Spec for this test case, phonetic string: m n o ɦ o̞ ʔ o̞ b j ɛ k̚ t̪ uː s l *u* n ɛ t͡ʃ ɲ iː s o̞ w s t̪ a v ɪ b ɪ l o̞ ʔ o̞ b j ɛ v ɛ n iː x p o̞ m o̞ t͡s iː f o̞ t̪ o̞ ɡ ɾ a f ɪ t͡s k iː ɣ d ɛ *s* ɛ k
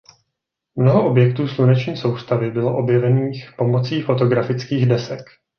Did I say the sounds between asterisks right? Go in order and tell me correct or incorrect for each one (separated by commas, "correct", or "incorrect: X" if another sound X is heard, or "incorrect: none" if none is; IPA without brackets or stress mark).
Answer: correct, correct